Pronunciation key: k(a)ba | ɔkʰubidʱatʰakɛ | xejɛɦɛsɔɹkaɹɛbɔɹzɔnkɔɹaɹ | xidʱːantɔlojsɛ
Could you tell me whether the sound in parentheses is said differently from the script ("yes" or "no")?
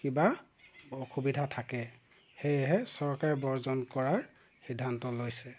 yes